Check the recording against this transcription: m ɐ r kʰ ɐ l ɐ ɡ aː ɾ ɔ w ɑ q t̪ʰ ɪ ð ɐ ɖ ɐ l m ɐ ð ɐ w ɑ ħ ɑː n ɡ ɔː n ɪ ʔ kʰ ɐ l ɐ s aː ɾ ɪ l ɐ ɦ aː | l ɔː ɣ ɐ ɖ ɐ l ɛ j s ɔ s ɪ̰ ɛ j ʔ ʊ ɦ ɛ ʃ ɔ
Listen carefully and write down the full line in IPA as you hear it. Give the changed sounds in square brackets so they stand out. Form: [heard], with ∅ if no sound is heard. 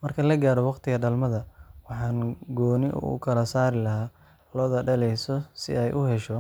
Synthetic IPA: m ɐ r kʰ ɐ l ɐ ɡ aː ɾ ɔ w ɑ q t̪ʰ ɪ [ɣ] ɐ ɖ ɐ l m ɐ ð ɐ w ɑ ħ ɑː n ɡ ɔː n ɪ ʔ kʰ ɐ l ɐ s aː ɾ ɪ l ɐ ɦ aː | l ɔː [ð] ɐ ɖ ɐ l ɛ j s ɔ s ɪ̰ ɛ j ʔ ʊ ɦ ɛ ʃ ɔ